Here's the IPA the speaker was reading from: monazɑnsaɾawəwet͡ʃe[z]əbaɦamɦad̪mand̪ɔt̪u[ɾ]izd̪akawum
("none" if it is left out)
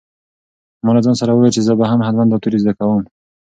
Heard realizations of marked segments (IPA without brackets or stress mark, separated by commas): z, ɾ